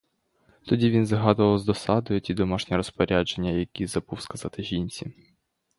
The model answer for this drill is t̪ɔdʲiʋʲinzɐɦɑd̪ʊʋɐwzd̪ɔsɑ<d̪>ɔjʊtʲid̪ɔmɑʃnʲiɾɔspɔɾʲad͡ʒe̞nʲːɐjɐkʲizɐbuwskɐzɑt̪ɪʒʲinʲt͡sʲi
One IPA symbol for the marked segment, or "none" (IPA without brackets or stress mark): d̪